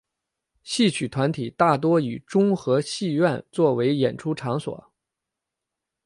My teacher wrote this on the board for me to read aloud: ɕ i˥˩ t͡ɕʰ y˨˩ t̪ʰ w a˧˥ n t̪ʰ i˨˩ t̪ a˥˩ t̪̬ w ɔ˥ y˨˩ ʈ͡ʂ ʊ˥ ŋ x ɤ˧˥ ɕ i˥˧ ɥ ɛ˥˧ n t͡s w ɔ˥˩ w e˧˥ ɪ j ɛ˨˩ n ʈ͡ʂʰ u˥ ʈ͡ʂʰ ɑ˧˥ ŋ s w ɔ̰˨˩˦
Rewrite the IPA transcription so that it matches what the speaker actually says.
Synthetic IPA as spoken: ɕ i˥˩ t͡ɕʰ y˨˩ t̪ʰ w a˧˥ n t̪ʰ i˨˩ t̪ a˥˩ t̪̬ w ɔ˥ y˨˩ ʈ͡ʂ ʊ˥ ŋ x ɤ˧˥ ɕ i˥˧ ɥ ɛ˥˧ n t͡s w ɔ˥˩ w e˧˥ ɪ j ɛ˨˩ n ʈ͡ʂʰ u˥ ʈ͡ʂʰ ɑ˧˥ ŋ s w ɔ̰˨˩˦

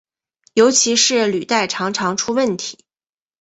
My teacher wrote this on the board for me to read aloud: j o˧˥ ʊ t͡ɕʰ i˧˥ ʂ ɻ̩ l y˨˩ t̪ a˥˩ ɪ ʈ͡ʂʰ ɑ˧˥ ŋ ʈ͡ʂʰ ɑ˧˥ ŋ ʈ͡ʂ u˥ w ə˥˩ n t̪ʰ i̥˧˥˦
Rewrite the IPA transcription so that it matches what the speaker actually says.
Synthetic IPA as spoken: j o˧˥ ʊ t͡ɕʰ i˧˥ ʂ ɻ̩ l y˨˩ t̪ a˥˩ ɪ ʈ͡ʂʰ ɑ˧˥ ŋ ʈ͡ʂʰ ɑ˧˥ ŋ ʈ͡ʂʰ u˥ w ə˥˩ n t̪ʰ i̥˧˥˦

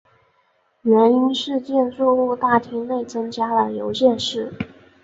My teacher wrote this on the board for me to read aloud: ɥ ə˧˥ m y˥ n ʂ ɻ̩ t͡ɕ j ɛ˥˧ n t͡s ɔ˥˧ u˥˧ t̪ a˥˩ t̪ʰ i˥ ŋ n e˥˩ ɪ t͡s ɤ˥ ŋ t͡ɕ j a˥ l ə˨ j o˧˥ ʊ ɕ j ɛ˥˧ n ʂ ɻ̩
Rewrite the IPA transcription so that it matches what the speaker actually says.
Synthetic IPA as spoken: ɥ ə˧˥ n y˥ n ʂ ɻ̩ t͡ɕ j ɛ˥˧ n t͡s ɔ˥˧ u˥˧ t̪ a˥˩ t̪ʰ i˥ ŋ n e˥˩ ɪ t͡s ɤ˥ ŋ t͡ɕ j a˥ l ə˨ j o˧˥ ʊ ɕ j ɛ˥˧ n ʂ ɻ̩

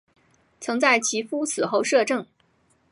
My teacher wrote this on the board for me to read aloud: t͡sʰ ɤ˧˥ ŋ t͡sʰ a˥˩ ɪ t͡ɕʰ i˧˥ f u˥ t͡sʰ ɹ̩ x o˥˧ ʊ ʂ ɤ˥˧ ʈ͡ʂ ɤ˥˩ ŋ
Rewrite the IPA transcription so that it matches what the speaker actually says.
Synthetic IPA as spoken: t͡sʰ ɤ˧˥ ŋ t͡s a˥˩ ɪ t͡ɕʰ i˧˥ f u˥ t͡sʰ ɹ̩ x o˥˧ ʊ ʂ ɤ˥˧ ʈ͡ʂ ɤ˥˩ ŋ

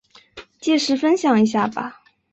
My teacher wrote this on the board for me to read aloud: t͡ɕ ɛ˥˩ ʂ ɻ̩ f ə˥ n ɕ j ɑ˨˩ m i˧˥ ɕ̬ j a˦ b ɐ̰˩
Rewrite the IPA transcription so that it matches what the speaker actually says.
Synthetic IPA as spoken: t͡ɕ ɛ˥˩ ʂ ɻ̩ f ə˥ n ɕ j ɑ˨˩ ŋ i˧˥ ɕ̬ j a˥˩ b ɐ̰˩

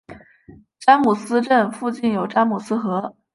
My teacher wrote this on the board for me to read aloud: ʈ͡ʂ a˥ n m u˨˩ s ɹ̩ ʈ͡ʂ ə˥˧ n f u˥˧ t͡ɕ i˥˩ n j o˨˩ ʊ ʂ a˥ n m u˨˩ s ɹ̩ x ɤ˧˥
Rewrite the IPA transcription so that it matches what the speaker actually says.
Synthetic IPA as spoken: ʈ͡ʂ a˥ n m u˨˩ s ɹ̩ ʈ͡ʂ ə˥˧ n f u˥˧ t͡ɕ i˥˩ n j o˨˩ ʊ ʈ͡ʂ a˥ n m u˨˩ s ɹ̩ x ɤ˧˥

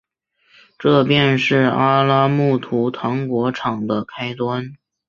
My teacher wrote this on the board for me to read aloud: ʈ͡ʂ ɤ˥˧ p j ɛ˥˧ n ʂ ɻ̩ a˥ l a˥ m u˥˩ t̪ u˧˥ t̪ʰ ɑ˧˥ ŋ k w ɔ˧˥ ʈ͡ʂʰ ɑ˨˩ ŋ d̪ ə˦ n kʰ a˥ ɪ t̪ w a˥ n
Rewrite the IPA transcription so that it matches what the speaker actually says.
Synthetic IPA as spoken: ʈ͡ʂ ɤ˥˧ p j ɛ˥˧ n ʂ ɻ̩ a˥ l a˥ m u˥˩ t̪ʰ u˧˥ t̪ʰ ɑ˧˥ ŋ k w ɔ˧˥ ʈ͡ʂʰ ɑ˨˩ ŋ d̪ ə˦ kʰ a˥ ɪ t̪ w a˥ n

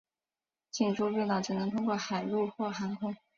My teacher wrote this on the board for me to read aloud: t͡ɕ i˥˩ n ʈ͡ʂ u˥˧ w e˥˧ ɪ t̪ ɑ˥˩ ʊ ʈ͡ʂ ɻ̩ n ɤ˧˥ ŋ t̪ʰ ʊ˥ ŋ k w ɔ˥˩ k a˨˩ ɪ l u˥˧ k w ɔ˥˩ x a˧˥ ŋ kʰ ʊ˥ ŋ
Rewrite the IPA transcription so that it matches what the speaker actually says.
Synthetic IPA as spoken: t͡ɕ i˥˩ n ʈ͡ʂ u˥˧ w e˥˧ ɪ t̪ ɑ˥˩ ʊ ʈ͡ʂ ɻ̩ n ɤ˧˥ ŋ t̪ʰ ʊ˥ ŋ k w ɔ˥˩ x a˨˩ ɪ l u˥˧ x w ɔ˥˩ x a˧˥ ŋ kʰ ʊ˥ ŋ

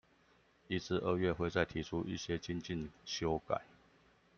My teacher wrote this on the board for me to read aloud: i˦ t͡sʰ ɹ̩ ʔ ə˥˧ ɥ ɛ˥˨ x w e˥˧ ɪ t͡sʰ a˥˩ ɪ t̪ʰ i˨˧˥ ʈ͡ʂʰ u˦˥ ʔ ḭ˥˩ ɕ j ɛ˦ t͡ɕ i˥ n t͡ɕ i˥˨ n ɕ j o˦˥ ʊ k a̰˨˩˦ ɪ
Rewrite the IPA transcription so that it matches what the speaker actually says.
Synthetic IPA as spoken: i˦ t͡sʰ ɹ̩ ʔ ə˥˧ ɥ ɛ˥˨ x w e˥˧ ɪ t͡s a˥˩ ɪ t̪ʰ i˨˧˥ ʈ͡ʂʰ u˦˥ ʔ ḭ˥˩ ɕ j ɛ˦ t͡ɕ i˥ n t͡ɕ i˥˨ n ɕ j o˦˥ ʊ k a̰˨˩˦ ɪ

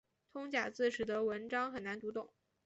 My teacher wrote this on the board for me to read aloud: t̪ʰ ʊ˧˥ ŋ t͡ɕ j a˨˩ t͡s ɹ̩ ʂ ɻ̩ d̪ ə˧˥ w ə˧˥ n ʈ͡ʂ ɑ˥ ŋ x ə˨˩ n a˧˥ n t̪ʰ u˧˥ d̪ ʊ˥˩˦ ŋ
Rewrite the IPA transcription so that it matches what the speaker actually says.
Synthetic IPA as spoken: t̪ʰ ʊ˥ ŋ t͡ɕ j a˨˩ t͡s ɹ̩ ʂ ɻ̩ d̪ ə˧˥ w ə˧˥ n ʈ͡ʂ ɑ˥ ŋ x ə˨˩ n a˧˥ n t̪ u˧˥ t̪ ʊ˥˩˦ ŋ

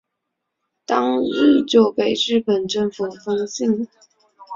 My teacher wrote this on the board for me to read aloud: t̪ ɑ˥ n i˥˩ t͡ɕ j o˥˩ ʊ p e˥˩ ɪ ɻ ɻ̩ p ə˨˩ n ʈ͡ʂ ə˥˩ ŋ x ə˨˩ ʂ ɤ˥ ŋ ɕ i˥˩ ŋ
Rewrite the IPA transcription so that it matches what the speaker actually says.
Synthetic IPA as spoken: t̪ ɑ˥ ŋ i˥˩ t͡ɕ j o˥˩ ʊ p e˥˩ ɪ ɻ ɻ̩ p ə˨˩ n ʈ͡ʂ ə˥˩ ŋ f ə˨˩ f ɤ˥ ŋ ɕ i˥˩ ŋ

